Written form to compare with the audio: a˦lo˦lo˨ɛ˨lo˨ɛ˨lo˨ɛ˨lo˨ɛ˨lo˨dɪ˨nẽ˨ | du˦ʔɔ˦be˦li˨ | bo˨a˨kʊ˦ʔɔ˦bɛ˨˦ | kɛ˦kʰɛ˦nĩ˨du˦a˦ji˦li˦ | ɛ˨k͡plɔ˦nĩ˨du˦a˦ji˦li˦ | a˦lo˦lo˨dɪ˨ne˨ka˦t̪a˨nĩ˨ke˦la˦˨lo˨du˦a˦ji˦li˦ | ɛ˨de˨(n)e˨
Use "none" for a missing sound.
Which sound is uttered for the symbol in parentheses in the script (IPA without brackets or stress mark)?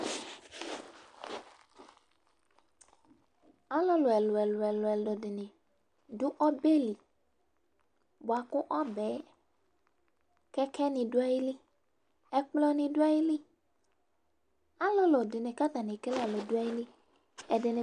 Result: n